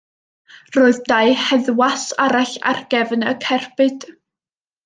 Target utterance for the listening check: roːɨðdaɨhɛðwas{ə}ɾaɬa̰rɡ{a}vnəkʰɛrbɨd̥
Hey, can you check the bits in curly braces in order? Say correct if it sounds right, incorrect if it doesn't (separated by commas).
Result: incorrect, incorrect